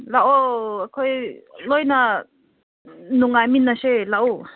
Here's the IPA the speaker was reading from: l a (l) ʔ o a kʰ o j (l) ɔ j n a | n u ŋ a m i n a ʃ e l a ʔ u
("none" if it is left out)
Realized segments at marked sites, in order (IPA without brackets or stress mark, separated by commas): none, l